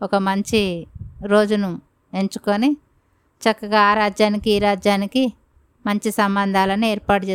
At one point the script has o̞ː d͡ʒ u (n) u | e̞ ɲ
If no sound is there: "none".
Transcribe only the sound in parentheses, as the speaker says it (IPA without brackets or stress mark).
n